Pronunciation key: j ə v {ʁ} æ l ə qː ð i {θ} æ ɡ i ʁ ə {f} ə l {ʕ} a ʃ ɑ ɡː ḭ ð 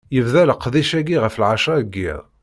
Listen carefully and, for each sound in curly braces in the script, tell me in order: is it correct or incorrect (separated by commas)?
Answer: incorrect, incorrect, correct, correct